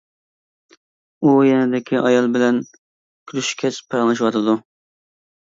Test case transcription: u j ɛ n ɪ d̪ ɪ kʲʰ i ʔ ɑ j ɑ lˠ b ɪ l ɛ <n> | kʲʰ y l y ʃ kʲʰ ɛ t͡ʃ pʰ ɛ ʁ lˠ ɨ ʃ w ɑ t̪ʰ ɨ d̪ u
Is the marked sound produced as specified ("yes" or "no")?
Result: yes